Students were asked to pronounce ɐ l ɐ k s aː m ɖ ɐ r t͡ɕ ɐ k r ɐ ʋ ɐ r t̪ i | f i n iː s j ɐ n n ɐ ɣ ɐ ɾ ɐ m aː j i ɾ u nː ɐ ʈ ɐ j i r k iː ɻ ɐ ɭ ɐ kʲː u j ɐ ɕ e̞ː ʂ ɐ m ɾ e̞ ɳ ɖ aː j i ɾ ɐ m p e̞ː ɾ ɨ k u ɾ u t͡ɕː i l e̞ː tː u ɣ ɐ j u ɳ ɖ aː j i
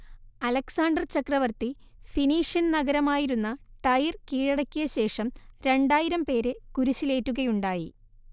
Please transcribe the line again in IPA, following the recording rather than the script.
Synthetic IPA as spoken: ɐ l ɐ k s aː ɳ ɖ ɐ r t͡ɕ ɐ k r ɐ ʋ ɐ r t̪ i | f i n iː ʂ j ɐ n n ɐ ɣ ɐ ɾ ɐ m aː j i ɾ u nː ɐ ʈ ɐ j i r k iː ɻ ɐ ɽ ɐ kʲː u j ɐ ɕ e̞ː ʂ ɐ m ɾ e̞ ɳ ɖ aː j i ɾ ɐ m p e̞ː ɾ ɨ k u ɾ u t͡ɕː i l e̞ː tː u ɣ ɐ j u ɳ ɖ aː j i

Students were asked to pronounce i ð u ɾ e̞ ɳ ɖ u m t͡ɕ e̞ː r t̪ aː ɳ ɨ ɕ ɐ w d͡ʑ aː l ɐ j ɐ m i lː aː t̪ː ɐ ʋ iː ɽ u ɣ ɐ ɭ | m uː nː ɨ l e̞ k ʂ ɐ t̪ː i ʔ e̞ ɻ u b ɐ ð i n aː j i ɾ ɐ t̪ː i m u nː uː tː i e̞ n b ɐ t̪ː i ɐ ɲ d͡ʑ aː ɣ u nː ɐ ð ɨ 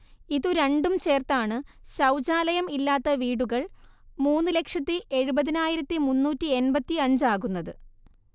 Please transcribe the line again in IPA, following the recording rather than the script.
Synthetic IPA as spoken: i ð u ɾ e̞ ɳ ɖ u m t͡ɕ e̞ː r t̪ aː ɳ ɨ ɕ ɐ w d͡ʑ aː l ɐ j ɐ m i lː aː t̪ː ɐ ʋ iː ɽ u ɣ ɐ ɭ | m uː nː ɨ l e̞ k ʂ ɐ t̪ː i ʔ e̞ ɻ u b ɐ ð i n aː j i ɾ ɐ t̪ː i m u nː uː tː i e̞ n b ɐ t̪ː i ɐ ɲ d͡ʑ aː ɣ u nː ɐ ð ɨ

